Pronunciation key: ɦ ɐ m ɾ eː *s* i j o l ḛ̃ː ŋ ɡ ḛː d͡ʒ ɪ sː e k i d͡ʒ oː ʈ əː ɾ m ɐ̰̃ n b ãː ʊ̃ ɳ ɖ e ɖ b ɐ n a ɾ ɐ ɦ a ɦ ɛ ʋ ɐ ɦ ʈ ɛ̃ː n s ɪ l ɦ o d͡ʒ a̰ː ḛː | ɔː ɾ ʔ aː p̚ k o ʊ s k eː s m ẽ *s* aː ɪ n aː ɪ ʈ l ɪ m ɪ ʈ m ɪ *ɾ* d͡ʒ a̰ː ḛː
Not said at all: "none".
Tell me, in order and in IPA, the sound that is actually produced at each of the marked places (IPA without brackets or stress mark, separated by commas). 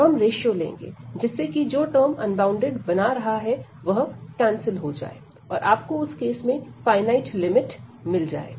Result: ʃ, f, l